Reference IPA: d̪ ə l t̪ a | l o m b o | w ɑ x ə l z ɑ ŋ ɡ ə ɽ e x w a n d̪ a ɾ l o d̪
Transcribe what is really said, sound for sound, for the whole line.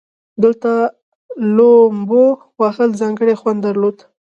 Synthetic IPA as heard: d̪ ə l t̪ a | l o m b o | w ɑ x ə l z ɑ ŋ ɡ ə ɽ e x w a n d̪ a ɾ l o d̪